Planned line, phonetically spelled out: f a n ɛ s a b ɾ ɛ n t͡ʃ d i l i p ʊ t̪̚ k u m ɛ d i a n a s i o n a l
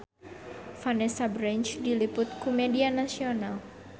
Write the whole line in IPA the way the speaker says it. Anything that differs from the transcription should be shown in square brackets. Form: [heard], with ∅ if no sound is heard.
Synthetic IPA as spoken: f a n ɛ s a b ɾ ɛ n t͡ʃ d i l i p ʊ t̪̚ k u m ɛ d i a n a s i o n a l